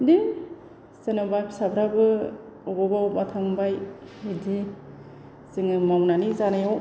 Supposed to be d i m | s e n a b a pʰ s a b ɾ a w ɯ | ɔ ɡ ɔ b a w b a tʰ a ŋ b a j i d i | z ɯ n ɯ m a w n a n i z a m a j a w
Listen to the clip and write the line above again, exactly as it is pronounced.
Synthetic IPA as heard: d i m | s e n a b a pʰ s a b ɾ a b ɯ | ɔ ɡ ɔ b a w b a tʰ a ŋ b a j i d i | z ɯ ŋ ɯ m a w n a n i z a n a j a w